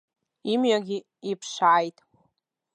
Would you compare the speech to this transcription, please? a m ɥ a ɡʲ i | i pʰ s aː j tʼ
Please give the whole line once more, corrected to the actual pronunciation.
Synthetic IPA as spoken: i m ɥ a ɡʲ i | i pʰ ʂ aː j tʼ

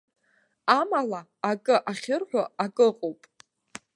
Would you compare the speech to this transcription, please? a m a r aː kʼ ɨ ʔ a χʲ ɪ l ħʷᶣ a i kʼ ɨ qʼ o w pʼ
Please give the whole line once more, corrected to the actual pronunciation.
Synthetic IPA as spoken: a m a l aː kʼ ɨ ʔ a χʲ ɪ r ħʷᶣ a a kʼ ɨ qʼ o w pʼ

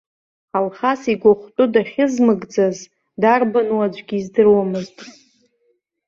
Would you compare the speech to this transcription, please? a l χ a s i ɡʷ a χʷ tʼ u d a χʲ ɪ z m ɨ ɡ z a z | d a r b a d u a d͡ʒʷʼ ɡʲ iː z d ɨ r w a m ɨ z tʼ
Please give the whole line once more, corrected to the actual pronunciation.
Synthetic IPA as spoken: a l χ a s i ɡʷ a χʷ tʼ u d a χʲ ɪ z m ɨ ɡ d͡z a z | d a r b a n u a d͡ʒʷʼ ɡʲ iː z d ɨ r w a m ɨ z tʼ

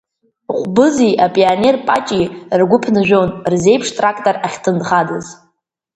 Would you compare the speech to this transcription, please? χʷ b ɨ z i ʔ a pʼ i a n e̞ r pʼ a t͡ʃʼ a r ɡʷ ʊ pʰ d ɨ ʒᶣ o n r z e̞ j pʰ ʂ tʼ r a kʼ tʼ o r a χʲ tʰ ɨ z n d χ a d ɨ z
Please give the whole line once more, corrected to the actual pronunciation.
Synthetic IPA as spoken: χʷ b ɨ z i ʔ a pʼ i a n e̞ r pʼ a t͡ʃʼ i r ɡʷ ʊ pʰ n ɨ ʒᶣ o n r z e̞ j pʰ ʂ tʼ r a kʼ tʼ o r a χʲ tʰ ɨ n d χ a d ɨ z

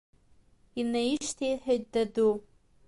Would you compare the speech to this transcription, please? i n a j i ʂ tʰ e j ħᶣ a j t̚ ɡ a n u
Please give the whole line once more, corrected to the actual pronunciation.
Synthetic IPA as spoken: i n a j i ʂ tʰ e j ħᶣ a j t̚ d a d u

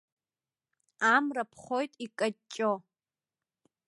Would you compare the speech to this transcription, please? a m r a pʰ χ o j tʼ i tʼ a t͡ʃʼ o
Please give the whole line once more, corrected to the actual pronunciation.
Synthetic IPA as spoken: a m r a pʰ χ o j tʼ i kʼ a t͡ʃʼ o

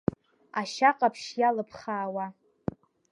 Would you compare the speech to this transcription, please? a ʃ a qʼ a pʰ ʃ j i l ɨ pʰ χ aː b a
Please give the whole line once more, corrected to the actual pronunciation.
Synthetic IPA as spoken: a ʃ a qʼ a pʰ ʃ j a l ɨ pʰ χ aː w a

